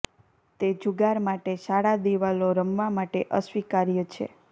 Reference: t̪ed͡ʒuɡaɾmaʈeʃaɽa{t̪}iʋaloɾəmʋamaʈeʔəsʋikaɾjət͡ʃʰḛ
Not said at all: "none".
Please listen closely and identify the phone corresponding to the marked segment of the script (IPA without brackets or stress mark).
d̪